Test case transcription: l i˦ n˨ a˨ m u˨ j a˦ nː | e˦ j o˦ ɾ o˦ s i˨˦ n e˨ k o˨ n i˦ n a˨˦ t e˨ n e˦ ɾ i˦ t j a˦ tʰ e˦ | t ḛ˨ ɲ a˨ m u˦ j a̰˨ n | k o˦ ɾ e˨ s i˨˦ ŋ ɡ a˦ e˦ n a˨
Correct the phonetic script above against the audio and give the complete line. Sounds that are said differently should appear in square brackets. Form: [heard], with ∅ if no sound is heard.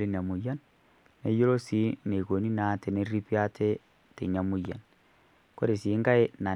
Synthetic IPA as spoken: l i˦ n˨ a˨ m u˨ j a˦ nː | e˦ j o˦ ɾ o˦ s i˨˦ n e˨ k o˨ n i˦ n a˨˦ t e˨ n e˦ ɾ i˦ [p] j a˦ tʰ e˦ | t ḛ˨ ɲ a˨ m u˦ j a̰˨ n | k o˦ ɾ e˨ s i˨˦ ŋ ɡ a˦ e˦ n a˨